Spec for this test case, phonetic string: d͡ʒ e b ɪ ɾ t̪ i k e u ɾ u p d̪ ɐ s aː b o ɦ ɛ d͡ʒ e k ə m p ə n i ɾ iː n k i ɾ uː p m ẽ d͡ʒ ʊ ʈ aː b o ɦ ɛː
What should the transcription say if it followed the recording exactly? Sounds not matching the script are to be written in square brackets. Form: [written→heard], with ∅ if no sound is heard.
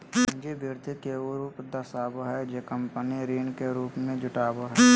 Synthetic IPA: d͡ʒ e b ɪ ɾ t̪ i k e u ɾ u p d̪ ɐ s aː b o ɦ ɛ d͡ʒ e k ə m p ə n i ɾ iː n k [i→e] ɾ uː p m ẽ d͡ʒ ʊ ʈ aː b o ɦ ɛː

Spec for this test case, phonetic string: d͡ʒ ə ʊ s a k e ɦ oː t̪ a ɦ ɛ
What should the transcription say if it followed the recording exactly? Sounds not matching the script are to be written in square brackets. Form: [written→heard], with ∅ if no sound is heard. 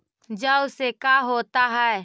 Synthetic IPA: d͡ʒ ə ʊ s [a→e] k [e→a] ɦ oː t̪ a ɦ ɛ

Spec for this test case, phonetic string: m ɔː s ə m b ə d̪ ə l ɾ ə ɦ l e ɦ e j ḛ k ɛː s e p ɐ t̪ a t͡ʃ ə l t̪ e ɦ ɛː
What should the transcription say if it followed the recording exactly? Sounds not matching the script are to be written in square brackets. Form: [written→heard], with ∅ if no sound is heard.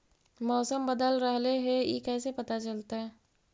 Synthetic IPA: m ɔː s ə m b ə d̪ ə l ɾ ə ɦ l e ɦ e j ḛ k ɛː s e p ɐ t̪ a t͡ʃ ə l t̪ [e→a] ɦ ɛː

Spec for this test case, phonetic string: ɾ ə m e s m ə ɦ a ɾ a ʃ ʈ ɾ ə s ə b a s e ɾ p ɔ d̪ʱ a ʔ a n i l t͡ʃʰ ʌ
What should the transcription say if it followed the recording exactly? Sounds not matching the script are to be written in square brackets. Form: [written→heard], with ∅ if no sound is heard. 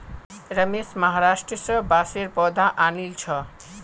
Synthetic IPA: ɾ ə m e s m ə ɦ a ɾ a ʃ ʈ ɾ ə s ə b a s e ɾ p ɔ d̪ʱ a ʔ a n i l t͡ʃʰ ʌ

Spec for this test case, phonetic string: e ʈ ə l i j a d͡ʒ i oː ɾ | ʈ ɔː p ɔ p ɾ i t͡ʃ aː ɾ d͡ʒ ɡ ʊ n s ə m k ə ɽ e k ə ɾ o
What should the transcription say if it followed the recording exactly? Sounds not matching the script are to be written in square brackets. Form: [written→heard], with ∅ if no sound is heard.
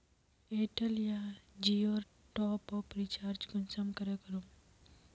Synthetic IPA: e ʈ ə l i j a d͡ʒ i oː ɾ | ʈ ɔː p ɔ p ɾ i t͡ʃ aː ɾ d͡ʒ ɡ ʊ n s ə m k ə [ɽ→ɾ] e k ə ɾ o

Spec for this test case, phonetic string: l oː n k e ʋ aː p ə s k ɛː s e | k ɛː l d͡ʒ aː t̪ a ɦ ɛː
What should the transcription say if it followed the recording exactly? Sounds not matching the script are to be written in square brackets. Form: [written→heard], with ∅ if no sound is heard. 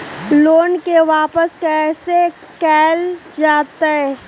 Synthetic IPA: l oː n k e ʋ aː p ə s k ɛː s e | k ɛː l d͡ʒ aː t̪ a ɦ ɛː

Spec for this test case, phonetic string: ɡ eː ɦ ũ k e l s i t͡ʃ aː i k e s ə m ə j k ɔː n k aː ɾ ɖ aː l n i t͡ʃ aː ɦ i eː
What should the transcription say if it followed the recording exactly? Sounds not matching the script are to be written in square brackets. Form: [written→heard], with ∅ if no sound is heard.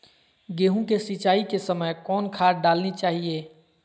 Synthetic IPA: ɡ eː ɦ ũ k e [l→∅] s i t͡ʃ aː i k e s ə m ə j k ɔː n [k→kʰ] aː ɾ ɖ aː l n i t͡ʃ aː ɦ i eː

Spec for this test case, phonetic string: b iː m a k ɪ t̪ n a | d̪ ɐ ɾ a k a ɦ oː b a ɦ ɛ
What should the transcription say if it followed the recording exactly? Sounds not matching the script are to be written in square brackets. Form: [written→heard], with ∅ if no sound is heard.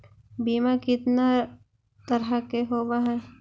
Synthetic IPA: b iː m a k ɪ t̪ n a | [d̪→t̪] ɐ ɾ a k [a→e] ɦ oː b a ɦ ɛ

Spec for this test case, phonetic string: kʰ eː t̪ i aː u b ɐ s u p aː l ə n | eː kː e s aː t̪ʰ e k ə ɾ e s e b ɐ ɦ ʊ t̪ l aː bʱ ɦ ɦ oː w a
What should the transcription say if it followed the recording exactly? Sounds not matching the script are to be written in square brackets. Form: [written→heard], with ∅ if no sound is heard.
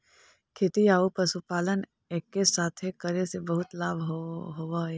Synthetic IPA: kʰ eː t̪ i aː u [b→p] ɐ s u p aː l ə n | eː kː e s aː t̪ʰ e k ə ɾ e s e b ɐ ɦ ʊ t̪ l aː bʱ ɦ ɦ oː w a

